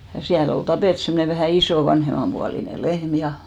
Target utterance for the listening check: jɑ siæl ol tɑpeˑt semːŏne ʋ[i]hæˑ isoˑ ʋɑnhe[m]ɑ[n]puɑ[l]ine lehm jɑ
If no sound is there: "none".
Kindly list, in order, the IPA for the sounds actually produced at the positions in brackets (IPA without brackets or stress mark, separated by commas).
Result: æ, m, m, l